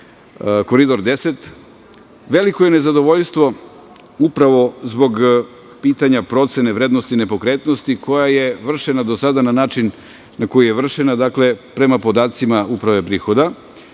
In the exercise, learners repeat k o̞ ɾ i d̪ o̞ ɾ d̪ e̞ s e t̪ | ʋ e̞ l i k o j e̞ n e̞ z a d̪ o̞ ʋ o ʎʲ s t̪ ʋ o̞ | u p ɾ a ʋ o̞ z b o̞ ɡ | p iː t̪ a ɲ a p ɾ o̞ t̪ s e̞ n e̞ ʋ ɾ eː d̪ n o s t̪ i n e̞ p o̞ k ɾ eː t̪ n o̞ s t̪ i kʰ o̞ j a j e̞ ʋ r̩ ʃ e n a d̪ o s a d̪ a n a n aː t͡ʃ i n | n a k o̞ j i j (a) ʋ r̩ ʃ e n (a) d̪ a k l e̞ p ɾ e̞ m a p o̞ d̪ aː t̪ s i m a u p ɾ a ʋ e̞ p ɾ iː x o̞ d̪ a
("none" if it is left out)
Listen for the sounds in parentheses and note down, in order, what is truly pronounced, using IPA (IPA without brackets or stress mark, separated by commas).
e, a